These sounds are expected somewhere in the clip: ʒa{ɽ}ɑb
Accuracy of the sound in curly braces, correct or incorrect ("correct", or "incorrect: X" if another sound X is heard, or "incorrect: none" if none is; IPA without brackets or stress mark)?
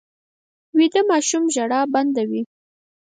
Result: correct